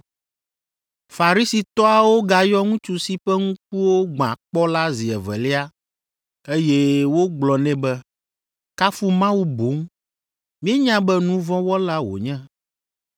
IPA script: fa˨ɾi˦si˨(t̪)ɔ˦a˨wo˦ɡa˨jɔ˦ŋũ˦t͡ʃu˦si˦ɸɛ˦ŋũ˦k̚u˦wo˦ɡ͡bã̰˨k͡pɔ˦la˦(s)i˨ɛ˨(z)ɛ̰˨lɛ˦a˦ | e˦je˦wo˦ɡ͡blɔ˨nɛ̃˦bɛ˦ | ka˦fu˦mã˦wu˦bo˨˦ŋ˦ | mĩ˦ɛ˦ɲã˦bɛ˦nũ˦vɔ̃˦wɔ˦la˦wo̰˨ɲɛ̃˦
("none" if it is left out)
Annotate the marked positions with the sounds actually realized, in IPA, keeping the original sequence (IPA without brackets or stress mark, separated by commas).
t̪, z, v